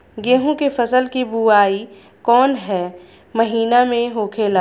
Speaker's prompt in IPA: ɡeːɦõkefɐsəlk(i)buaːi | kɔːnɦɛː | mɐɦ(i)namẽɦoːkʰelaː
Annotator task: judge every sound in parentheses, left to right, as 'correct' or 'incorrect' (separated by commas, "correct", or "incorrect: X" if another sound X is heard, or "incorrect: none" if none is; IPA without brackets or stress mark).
correct, incorrect: iː